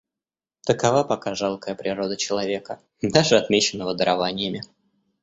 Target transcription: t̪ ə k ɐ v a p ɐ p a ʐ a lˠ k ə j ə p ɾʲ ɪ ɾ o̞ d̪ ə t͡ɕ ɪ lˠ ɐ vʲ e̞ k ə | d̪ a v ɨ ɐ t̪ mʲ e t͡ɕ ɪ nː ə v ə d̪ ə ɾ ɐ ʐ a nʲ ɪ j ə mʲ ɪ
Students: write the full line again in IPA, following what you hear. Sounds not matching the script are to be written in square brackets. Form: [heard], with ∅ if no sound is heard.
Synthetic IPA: t̪ ə k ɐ v a p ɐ [k] a ʐ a lˠ k ə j ə p ɾʲ ɪ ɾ o̞ d̪ ə t͡ɕ ɪ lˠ ɐ vʲ e̞ k ə | d̪ a [ʐ] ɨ ɐ t̪ mʲ e t͡ɕ ɪ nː ə v ə d̪ ə ɾ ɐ [v] a nʲ ɪ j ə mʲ ɪ

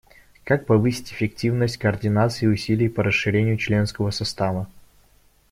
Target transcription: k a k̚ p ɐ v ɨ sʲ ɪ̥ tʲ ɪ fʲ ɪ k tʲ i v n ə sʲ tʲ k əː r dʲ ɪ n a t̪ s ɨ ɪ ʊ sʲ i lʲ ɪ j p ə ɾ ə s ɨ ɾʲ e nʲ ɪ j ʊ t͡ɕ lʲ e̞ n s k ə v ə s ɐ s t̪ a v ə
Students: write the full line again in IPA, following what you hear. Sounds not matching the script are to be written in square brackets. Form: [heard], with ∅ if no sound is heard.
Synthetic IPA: k a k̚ p ɐ v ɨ sʲ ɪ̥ tʲ ɪ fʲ ɪ k tʲ i v n ə sʲ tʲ k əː r dʲ ɪ n a t̪ s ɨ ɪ ʊ sʲ i lʲ ɪ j p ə ɾ ə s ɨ ɾʲ e nʲ ɪ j ʊ t͡ɕ lʲ e̞ n s k ə v ə s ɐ s t̪ a v ə

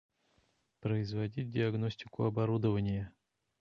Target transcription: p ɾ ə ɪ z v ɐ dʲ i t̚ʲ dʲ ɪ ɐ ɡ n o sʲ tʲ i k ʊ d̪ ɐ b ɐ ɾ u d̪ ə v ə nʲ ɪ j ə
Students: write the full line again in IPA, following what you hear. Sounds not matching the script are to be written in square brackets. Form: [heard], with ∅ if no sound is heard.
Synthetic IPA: p ɾ ə ɪ z v ɐ dʲ i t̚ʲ dʲ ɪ ɐ ɡ n o sʲ tʲ [ɪ] k ʊ [∅] ɐ b ɐ ɾ u d̪ ə v ə nʲ ɪ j ə

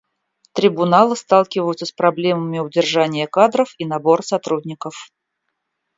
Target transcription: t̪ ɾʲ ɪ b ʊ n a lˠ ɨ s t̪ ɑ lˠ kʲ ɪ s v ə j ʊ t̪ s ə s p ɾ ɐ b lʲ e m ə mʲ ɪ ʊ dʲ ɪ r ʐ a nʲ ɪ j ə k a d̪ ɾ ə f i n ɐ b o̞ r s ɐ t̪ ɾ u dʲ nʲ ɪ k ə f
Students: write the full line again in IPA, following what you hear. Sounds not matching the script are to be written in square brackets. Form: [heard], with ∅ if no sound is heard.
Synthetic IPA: t̪ ɾʲ ɪ b ʊ n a lˠ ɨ s t̪ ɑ lˠ kʲ ɪ [∅] v ə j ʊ t̪ s ə s p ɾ ɐ b lʲ e m ə mʲ ɪ ʊ dʲ ɪ r ʐ a nʲ ɪ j ə k a d̪ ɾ ə f i n ɐ b o̞ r s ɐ t̪ ɾ u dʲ nʲ ɪ k ə f

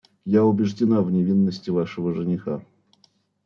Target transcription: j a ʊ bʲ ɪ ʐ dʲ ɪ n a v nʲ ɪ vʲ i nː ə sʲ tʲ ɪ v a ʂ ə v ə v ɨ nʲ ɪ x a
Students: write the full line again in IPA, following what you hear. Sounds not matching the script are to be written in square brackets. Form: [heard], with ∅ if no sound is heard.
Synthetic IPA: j a ʊ bʲ ɪ ʐ dʲ ɪ n a v nʲ ɪ vʲ i nː ə sʲ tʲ ɪ v a ʂ ə v ə [ʐ] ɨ nʲ ɪ x a

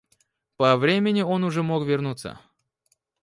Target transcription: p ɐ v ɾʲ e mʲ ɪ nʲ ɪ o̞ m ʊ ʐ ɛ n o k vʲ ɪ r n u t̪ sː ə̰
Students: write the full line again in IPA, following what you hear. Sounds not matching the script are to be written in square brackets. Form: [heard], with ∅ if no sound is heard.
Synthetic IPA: p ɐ v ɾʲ e mʲ ɪ nʲ ɪ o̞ [n] ʊ ʐ ɛ [m] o k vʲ ɪ r n u t̪ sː ə̰

